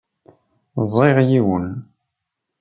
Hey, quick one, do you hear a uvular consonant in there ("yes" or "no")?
yes